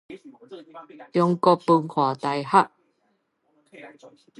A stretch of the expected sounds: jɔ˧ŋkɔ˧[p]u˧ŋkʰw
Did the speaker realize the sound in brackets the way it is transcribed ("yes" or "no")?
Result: yes